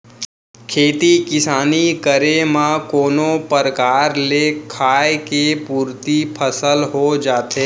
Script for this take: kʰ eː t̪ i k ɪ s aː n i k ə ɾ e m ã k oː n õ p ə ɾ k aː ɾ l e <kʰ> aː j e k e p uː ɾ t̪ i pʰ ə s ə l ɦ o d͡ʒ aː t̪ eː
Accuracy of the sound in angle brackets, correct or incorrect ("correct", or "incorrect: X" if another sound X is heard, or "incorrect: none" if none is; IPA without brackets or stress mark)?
correct